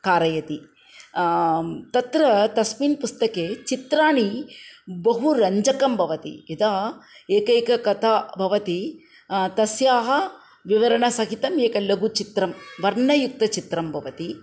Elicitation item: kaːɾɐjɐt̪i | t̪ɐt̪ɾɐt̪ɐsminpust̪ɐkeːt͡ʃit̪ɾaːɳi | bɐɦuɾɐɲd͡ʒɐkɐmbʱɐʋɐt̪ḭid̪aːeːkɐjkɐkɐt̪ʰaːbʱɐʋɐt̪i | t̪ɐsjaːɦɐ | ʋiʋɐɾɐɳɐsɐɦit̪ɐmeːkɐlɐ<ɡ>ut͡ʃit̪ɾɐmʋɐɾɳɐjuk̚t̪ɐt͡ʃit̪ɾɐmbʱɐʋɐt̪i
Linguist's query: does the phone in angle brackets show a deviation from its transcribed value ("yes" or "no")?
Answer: no